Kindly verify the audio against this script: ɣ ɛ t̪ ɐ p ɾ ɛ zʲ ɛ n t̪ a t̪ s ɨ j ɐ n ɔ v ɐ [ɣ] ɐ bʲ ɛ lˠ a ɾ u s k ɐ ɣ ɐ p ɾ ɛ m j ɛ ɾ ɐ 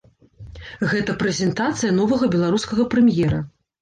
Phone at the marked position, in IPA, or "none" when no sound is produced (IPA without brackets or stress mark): ɣ